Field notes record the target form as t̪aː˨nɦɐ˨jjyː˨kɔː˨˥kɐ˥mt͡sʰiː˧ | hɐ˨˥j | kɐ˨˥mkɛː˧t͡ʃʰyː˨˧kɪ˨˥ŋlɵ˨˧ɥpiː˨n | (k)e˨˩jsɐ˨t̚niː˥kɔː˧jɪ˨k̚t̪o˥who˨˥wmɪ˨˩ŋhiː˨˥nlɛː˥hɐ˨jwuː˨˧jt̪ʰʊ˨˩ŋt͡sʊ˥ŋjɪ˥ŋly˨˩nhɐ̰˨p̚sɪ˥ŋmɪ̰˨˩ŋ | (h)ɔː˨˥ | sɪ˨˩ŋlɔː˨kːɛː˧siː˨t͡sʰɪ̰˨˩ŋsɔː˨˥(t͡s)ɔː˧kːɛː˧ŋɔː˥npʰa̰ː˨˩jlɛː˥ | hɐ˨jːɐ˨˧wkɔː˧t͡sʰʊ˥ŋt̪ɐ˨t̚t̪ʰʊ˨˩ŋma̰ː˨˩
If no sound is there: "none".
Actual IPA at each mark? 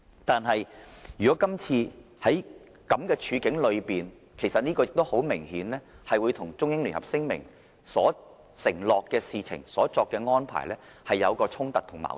kʰ, s, t͡s

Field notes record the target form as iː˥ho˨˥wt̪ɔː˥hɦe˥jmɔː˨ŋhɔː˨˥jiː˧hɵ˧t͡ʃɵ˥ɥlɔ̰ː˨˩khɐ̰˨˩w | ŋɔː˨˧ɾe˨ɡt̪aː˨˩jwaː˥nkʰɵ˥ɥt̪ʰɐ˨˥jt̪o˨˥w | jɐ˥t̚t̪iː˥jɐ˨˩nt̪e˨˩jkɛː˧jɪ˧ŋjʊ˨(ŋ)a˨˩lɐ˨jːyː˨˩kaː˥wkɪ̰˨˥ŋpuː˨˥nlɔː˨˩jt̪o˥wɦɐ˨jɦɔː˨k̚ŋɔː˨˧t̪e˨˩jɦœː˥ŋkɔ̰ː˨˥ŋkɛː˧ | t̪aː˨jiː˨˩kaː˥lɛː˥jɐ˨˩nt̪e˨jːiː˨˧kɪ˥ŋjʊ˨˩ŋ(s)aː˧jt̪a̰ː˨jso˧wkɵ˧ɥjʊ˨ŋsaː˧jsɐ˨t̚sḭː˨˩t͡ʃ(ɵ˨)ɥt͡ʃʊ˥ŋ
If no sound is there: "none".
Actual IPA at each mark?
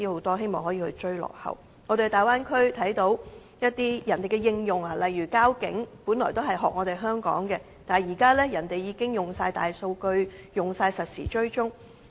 ŋ, s, ɵ˥

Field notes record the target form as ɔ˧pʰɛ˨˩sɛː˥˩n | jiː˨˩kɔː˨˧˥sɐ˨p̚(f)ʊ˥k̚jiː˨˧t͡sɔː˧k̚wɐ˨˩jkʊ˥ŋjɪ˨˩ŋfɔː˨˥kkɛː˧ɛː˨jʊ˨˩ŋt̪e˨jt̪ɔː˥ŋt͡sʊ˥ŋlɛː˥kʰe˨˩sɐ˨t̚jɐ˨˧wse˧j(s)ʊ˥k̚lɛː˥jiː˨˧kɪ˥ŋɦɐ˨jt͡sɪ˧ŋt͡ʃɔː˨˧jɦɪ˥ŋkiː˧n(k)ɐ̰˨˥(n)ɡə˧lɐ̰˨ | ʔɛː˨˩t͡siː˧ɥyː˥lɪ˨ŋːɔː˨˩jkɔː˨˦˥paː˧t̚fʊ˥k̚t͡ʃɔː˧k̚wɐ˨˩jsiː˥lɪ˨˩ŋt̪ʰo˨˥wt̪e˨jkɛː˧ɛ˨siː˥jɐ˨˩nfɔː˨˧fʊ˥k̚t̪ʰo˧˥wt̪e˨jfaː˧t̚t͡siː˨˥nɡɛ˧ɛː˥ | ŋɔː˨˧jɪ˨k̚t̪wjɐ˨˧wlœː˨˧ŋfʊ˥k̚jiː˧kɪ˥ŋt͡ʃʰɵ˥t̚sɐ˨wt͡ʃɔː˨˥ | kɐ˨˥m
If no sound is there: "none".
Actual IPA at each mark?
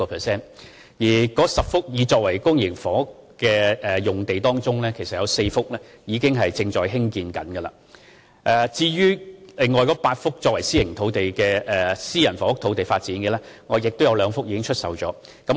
f, f, k, n

